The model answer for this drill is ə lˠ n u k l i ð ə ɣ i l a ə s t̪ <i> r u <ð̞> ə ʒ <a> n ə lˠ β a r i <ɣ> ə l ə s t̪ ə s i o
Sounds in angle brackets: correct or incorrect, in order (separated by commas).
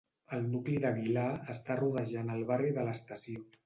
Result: incorrect, correct, correct, incorrect